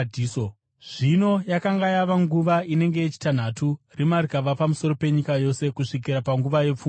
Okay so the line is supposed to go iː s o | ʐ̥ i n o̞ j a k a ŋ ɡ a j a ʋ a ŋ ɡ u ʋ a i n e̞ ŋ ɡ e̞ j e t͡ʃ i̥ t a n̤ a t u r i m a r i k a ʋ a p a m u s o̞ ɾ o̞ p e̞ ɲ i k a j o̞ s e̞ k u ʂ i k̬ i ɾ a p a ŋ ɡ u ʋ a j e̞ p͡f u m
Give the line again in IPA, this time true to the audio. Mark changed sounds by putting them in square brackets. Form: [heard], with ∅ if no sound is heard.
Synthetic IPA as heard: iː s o | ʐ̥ i n o̞ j a k a ŋ ɡ a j a ʋ a ŋ ɡ u ʋ a i n e̞ ŋ ɡ e̞ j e t͡ʃ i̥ t a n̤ a t u r i m a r i k a ʋ a p a m u s o̞ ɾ o̞ p e̞ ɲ i k a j o̞ s e̞ k u ʂ i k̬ i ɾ a p a ŋ ɡ u ʋ a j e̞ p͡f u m